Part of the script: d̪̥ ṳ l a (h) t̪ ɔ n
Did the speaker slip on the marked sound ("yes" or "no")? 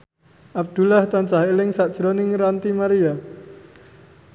no